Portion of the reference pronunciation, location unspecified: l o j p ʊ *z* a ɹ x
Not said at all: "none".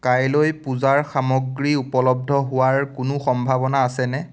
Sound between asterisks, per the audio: z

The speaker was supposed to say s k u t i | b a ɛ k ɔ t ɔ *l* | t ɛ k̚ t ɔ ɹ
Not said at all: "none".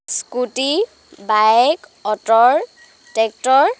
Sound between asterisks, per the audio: ɹ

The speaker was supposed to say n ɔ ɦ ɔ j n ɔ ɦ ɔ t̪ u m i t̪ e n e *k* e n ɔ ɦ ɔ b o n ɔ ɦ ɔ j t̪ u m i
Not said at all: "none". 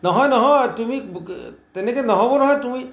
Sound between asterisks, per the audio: k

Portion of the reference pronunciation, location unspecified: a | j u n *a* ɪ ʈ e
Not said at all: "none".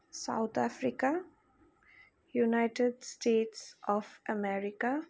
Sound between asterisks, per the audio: a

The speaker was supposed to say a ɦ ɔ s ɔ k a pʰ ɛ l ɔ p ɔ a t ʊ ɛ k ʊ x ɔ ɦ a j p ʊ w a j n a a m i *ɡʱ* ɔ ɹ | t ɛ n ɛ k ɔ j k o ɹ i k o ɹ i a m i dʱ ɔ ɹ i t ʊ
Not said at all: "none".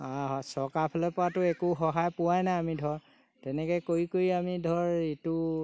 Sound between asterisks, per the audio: dʱ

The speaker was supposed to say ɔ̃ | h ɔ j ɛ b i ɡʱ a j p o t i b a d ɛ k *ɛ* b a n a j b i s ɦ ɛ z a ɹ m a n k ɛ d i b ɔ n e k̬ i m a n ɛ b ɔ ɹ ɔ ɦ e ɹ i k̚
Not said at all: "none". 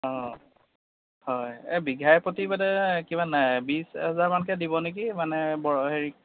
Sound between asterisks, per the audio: i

